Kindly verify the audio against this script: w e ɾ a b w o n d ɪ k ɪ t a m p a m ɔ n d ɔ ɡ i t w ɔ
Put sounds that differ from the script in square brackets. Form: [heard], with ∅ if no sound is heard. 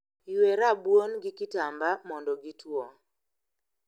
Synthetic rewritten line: w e ɾ a b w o n [ɡ] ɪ k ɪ t a m [b] a m ɔ n d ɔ ɡ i t w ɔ